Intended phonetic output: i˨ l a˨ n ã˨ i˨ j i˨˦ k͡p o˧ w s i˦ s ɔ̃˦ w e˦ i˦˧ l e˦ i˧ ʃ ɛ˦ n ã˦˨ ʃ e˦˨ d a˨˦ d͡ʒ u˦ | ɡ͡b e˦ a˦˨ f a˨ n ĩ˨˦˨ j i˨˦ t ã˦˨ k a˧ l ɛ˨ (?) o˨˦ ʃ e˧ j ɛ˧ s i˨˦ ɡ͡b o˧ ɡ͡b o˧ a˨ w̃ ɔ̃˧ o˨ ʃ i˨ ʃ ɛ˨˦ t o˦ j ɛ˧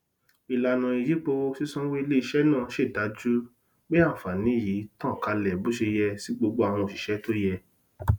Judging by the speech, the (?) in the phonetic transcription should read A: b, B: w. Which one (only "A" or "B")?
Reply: A